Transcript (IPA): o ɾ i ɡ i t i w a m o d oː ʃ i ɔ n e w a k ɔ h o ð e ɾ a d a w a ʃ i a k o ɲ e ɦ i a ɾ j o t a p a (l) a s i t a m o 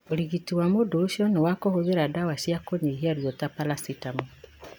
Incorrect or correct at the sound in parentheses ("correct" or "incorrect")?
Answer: correct